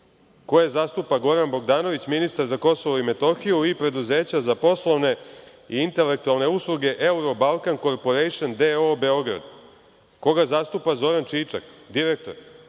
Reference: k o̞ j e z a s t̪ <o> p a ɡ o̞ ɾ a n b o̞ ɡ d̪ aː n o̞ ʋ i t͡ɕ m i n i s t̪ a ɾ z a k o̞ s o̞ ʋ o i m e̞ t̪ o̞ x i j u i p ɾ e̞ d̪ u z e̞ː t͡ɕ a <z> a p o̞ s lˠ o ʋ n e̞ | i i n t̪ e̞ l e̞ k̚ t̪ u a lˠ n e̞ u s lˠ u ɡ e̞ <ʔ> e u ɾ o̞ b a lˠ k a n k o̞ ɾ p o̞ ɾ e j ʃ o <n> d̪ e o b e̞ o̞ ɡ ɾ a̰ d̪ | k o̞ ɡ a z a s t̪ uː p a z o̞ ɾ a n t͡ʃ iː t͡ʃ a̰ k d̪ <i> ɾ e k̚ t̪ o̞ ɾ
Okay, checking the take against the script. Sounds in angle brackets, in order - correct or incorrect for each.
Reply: incorrect, correct, correct, correct, correct

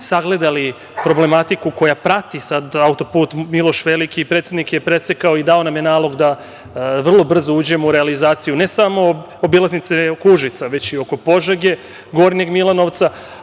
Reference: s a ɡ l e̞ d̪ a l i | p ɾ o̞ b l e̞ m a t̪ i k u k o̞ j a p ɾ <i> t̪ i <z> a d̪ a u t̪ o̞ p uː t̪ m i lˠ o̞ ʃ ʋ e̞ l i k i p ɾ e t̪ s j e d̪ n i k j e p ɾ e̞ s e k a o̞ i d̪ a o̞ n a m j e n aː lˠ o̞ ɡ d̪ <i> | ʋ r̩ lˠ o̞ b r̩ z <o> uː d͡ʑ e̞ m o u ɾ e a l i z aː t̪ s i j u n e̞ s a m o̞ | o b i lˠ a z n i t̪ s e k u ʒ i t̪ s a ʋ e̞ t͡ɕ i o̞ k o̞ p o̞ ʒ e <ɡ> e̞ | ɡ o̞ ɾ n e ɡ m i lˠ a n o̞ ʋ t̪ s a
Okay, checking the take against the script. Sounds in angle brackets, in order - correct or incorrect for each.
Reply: incorrect, incorrect, incorrect, correct, correct

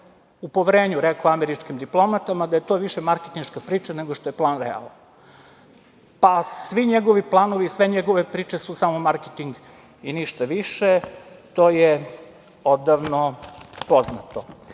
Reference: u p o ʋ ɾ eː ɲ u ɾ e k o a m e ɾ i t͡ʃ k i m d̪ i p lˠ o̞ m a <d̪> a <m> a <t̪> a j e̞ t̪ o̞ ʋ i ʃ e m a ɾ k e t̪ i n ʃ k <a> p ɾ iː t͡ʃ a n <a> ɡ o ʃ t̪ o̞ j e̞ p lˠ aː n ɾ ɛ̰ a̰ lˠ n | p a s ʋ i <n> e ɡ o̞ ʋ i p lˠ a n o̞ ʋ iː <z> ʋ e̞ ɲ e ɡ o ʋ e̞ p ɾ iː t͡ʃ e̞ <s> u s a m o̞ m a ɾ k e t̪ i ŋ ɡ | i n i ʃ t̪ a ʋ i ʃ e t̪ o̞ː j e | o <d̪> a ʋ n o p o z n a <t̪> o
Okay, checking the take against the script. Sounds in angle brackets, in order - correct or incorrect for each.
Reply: incorrect, correct, incorrect, correct, incorrect, incorrect, incorrect, correct, correct, correct

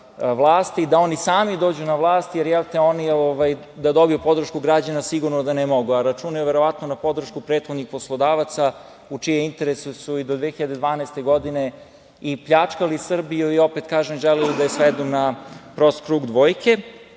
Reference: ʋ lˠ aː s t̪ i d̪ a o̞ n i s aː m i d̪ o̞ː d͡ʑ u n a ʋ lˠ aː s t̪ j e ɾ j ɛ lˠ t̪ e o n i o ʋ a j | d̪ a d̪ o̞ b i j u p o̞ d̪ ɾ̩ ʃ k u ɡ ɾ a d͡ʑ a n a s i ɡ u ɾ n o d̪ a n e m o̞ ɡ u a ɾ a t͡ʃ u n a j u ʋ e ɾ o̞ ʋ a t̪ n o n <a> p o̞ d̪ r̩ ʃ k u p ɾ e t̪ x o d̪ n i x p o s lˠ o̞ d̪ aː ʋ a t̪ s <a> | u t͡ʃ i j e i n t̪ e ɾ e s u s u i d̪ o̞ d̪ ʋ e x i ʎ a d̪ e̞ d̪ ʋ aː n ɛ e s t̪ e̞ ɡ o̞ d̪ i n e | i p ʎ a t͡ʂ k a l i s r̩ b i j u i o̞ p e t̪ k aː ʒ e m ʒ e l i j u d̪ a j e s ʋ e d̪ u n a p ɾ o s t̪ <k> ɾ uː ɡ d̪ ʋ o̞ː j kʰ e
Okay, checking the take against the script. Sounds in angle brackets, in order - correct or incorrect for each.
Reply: correct, correct, correct

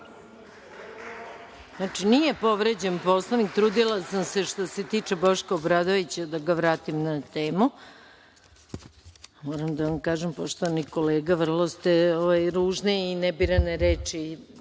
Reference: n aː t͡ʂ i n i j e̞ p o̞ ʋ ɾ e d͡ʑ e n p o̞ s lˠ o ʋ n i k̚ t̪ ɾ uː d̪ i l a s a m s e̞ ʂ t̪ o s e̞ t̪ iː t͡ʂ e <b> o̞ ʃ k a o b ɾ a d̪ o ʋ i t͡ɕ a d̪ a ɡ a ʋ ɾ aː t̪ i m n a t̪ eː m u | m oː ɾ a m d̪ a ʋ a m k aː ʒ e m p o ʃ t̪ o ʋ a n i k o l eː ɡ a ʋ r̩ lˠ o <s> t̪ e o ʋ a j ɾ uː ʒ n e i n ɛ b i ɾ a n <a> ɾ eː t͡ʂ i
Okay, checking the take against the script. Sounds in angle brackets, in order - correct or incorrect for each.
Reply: correct, correct, incorrect

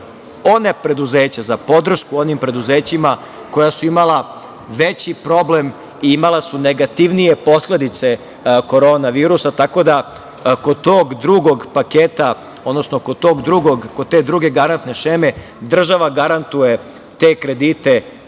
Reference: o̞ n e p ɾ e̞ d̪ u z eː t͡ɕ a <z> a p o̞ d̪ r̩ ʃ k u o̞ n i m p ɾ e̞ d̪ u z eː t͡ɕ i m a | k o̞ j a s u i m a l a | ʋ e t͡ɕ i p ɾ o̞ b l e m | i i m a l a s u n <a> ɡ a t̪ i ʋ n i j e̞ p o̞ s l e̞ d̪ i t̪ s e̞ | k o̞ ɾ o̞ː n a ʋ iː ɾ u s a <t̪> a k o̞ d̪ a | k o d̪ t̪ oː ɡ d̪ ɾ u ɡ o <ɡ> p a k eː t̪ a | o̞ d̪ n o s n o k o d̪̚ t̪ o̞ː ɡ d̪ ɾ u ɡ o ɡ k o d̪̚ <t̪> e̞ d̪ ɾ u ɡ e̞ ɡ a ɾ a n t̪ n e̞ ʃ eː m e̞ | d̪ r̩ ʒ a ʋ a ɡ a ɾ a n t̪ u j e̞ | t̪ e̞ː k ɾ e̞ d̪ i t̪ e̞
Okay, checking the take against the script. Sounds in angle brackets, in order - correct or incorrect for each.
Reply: correct, incorrect, correct, correct, correct

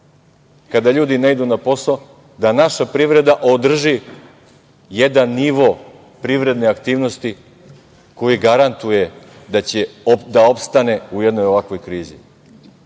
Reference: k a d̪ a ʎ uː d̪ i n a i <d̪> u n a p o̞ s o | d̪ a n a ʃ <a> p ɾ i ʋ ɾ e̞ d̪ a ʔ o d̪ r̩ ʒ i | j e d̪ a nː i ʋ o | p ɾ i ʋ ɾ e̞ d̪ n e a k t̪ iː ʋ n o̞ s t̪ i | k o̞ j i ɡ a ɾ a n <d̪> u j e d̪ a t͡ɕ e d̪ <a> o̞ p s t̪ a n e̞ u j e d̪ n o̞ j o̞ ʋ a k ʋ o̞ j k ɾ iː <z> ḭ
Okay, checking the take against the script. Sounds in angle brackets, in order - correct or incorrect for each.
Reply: correct, correct, incorrect, correct, correct

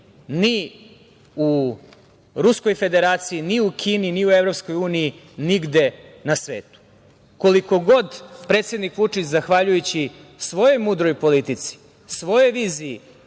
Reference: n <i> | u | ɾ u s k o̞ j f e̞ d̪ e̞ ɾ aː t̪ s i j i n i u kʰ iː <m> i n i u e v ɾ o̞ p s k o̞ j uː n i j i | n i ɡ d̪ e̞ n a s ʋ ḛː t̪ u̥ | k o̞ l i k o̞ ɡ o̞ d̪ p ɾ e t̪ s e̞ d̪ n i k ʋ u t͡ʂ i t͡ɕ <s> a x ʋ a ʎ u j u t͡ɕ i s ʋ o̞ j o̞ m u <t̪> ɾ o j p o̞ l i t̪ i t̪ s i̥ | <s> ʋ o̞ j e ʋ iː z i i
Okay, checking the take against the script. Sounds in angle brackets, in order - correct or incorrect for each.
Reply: correct, incorrect, incorrect, incorrect, correct

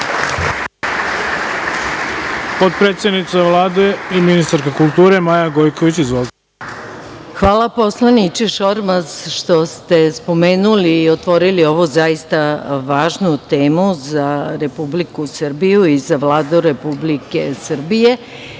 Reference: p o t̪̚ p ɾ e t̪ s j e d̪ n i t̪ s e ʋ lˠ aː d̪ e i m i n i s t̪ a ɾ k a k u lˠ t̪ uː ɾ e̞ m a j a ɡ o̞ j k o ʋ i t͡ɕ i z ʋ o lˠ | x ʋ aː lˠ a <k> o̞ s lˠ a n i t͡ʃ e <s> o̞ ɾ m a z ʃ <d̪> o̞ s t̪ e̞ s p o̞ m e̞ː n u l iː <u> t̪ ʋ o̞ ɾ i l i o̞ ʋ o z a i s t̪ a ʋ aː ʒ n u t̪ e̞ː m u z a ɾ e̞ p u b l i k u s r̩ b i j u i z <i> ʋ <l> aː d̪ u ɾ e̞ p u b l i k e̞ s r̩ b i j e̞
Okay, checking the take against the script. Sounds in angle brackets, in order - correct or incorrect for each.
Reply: incorrect, incorrect, incorrect, incorrect, incorrect, correct

